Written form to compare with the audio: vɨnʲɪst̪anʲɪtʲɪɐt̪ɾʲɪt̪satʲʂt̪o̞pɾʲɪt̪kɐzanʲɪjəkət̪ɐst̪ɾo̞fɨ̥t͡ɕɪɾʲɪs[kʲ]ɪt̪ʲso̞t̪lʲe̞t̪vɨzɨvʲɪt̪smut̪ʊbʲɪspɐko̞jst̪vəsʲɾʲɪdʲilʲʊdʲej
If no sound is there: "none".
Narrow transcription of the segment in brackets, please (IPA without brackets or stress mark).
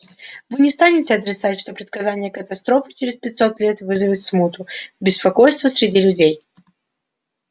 pʲ